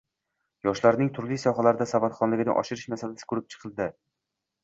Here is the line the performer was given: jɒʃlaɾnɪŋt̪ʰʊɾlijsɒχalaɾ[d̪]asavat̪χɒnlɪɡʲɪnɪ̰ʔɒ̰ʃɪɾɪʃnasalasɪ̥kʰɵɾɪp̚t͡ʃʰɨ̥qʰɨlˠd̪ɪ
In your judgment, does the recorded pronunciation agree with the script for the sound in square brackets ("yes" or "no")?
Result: yes